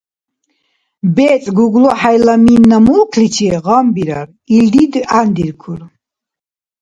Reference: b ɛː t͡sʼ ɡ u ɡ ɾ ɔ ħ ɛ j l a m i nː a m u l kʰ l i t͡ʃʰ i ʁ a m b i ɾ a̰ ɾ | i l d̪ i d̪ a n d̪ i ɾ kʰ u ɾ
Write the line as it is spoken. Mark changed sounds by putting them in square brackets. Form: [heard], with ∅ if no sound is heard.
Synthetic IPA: b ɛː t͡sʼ ɡ u ɡ [l] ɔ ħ [a] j l a m i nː a m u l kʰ l i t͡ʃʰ i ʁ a m b i ɾ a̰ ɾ | i l d̪ i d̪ a n d̪ i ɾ kʰ u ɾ

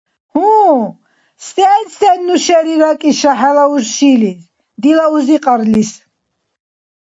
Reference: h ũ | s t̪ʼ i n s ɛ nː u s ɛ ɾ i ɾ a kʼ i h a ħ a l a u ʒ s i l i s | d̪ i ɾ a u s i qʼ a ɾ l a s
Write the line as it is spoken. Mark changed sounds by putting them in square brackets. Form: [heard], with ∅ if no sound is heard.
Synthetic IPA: h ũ | s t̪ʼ [ɛ] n s ɛ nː u [ʃ] ɛ ɾ i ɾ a kʼ i [ʃ] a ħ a l a u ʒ [ʃ] i l i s | d̪ i [l] a u [z] i qʼ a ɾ l [i] s

